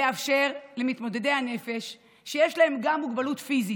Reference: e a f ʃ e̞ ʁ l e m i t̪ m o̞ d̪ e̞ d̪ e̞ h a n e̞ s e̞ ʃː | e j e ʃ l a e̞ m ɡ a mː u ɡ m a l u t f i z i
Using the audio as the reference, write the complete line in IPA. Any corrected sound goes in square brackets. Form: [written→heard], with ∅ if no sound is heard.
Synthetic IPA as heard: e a f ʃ e̞ ʁ l e m i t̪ m o̞ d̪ e̞ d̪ e̞ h a n e̞ [s→f] e̞ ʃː | e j e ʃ l a e̞ m ɡ a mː u ɡ [m→b] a l u t f i z i